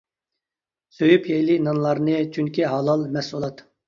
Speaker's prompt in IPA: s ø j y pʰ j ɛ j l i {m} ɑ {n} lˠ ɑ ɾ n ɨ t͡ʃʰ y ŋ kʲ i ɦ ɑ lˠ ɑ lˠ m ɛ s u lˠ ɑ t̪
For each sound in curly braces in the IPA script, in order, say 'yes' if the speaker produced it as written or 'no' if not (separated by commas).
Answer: no, yes